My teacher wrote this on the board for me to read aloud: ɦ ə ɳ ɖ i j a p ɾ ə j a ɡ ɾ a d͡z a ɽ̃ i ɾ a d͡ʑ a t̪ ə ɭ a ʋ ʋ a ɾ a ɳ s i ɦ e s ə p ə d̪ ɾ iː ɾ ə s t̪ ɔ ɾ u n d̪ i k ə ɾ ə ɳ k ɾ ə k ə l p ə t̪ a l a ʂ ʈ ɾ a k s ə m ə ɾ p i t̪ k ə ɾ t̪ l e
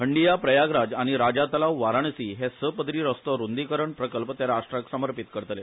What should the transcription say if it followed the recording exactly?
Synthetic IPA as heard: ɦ ə ɳ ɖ i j a p ɾ ə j a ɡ ɾ a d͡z a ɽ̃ i ɾ a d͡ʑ a t̪ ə l a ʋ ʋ a ɾ a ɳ s i ɦ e s ə p ə d̪ ɾ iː ɾ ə s t̪ ɔ ɾ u n d̪ i k ə ɾ ə ɳ p ɾ ə k ə l p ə t̪ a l a ʂ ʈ ɾ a k s ə m ə ɾ p i t̪ k ə ɾ t̪ l e